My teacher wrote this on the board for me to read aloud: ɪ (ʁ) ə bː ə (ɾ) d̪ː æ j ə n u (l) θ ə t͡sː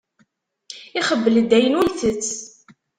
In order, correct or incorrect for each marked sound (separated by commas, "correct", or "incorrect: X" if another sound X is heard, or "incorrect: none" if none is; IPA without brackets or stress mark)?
incorrect: χ, incorrect: l, correct